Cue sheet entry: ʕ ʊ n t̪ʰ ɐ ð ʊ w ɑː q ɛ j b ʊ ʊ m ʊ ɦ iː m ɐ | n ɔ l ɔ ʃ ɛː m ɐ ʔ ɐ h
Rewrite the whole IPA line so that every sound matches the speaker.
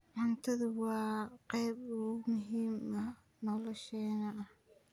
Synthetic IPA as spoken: ʕ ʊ n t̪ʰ ɐ ð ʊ w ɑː q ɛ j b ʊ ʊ m ʊ ɦ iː m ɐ | n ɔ l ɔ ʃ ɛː n ɐ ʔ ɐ h